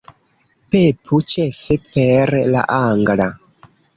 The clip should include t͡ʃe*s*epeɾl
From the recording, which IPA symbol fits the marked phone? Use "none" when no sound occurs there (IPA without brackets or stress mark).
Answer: f